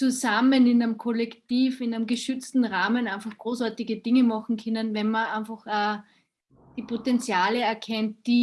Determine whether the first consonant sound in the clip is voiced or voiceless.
voiceless